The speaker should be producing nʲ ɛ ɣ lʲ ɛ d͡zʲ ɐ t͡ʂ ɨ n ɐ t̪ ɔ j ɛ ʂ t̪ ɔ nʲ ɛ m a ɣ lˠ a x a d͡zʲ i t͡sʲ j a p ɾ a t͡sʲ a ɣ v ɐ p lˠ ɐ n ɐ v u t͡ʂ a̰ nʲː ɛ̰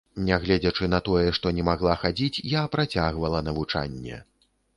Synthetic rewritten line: nʲ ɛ ɣ lʲ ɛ d͡zʲ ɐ t͡ʂ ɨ n ɐ t̪ ɔ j ɛ ʂ t̪ ɔ nʲ ɛ m a ɣ lˠ a x a d͡zʲ i t͡sʲ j a p ɾ a t͡sʲ a ɣ v ɐ lˠ ɐ n ɐ v u t͡ʂ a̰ nʲː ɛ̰